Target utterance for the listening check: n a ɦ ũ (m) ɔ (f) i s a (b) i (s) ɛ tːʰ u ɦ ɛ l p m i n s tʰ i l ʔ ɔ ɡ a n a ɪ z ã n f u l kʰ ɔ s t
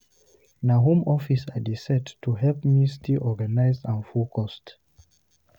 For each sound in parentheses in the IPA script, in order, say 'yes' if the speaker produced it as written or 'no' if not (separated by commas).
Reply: yes, yes, no, yes